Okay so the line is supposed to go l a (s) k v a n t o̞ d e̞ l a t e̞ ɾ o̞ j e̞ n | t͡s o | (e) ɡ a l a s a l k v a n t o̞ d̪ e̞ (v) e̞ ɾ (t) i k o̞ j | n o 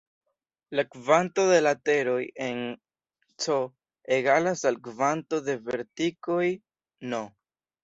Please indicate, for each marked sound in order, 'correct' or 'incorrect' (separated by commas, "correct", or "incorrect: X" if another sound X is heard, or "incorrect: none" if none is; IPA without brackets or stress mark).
incorrect: none, correct, correct, correct